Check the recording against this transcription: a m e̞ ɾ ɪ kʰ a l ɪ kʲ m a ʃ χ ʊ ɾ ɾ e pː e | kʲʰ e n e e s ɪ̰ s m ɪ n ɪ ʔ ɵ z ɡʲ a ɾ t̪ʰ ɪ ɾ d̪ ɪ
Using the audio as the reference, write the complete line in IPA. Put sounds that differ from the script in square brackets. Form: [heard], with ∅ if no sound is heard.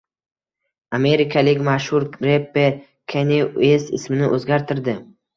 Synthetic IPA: a m e̞ ɾ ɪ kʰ a l ɪ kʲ m a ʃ [h] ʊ ɾ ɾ e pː e | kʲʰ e n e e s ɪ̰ s m ɪ n ɪ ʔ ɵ z ɡʲ a ɾ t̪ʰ ɪ ɾ d̪ ɪ